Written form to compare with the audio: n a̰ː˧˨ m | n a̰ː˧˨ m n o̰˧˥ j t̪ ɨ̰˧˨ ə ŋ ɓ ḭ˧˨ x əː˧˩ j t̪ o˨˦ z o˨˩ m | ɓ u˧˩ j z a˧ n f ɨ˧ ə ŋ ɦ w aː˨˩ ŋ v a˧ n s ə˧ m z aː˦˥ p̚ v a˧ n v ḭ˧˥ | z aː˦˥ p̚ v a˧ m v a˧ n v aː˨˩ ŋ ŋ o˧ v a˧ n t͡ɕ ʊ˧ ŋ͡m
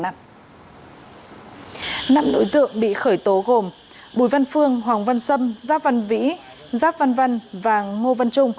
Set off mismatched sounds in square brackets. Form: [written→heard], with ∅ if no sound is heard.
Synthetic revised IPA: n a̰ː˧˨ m | n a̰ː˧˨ m n o̰˧˥ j t̪ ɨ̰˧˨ ə ŋ ɓ ḭ˧˨ x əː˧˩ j t̪ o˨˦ [z→ɣ] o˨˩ m | ɓ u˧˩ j [z→v] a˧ n f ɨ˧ ə ŋ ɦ w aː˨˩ ŋ v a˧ n s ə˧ m z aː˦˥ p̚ v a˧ n v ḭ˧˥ | z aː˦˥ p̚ v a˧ [m→n] v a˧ n v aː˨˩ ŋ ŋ o˧ v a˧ n t͡ɕ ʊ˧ ŋ͡m